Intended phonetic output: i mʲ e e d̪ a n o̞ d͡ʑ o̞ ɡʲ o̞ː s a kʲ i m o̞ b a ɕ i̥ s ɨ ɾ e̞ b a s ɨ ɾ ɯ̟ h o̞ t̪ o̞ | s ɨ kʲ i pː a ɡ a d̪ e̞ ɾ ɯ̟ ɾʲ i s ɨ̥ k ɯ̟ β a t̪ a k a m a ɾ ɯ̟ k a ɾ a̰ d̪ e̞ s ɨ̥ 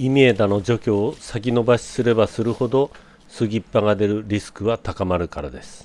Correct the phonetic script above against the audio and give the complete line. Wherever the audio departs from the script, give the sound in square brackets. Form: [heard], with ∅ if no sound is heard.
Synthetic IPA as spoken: i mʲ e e d̪ a n o̞ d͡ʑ o̞ [kʲ] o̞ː s a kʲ i [n] o̞ b a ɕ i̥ s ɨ ɾ e̞ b a s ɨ ɾ ɯ̟ h o̞ [d̪] o̞ | s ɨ [ɡʲ] i pː a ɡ a d̪ e̞ ɾ ɯ̟ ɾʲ i s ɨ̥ k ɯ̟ β a t̪ a k a m a ɾ ɯ̟ k a ɾ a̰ d̪ e̞ s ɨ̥